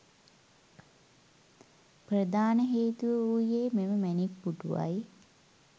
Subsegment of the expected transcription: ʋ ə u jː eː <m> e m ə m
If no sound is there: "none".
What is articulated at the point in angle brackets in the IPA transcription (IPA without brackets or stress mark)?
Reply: m